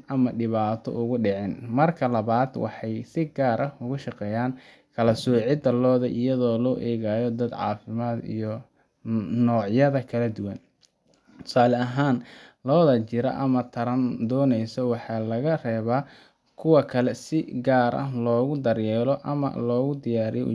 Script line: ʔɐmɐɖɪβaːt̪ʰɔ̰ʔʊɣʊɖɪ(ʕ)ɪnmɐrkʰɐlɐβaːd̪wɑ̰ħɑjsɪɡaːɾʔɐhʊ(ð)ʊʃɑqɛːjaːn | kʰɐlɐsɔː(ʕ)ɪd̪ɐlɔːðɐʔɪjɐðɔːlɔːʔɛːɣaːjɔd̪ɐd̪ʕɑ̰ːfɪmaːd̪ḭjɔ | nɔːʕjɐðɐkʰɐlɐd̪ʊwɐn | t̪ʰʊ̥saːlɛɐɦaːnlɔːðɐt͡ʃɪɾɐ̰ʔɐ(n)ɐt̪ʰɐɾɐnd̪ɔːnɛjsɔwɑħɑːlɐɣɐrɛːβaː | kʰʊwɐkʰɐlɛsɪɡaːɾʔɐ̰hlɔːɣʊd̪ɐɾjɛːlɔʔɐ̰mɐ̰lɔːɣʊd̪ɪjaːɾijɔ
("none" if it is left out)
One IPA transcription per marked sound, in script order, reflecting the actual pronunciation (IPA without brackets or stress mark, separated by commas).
ʕ, ɣ, ʕ, m